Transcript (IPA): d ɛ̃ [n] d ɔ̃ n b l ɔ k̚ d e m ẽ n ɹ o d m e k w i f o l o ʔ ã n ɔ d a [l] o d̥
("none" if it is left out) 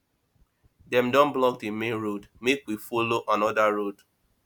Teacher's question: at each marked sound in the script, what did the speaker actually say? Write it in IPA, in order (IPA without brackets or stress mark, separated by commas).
m, ɹ